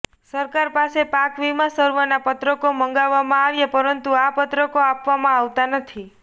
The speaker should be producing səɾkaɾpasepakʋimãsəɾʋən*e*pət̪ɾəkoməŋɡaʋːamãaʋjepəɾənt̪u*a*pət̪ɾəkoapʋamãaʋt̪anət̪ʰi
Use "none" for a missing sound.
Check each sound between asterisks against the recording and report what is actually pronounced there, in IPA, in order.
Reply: a, a

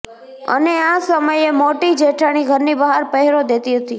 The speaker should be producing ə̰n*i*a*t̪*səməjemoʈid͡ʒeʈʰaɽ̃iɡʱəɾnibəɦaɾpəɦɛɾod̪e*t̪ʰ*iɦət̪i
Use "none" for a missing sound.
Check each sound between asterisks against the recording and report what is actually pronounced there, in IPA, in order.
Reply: e, none, t̪

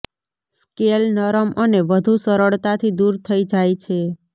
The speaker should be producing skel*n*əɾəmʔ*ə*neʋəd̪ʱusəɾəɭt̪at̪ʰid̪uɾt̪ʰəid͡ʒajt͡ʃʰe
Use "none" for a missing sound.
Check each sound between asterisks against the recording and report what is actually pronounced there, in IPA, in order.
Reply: n, ə

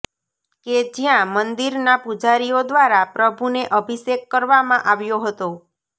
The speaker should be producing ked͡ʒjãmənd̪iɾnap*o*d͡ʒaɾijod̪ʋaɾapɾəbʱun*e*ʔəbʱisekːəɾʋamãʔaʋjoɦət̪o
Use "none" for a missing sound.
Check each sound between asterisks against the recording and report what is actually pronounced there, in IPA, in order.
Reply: u, e

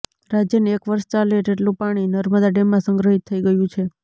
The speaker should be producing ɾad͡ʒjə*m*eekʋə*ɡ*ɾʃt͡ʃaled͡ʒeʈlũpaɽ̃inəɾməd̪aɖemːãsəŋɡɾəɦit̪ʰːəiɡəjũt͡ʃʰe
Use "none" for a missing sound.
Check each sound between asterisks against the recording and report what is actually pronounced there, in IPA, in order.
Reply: n, none

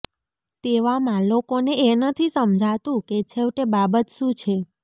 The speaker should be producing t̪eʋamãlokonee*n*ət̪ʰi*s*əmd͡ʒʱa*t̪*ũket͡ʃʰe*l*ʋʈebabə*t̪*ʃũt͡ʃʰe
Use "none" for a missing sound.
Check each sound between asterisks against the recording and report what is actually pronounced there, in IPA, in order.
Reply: n, s, t̪, none, t̪

